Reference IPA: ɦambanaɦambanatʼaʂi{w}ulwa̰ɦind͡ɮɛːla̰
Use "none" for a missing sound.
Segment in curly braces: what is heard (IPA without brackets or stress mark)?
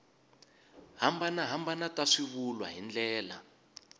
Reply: β